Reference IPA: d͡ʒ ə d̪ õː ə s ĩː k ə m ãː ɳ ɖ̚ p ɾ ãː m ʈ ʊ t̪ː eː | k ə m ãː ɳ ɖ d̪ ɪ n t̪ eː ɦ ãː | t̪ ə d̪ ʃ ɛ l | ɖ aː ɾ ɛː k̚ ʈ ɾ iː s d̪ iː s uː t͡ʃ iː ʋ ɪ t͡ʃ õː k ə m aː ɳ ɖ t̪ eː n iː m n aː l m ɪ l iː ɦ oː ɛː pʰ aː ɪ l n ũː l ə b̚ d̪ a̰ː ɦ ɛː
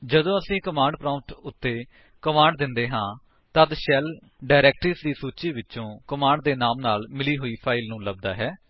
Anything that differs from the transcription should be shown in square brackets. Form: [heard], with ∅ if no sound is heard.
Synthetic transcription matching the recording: d͡ʒ ə d̪ õː ə s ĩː k ə m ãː ɳ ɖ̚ p ɾ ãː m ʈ ʊ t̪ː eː | k ə m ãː ɳ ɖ d̪ ɪ n [d̪] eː ɦ ãː | t̪ ə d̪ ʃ ɛ l | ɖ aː ɾ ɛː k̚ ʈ ɾ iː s d̪ iː s uː t͡ʃ iː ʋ ɪ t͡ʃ õː k ə m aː ɳ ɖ [d̪] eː n [aː] m n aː l m ɪ l iː ɦ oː [iː] pʰ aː ɪ l n ũː l ə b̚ d̪ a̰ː ɦ ɛː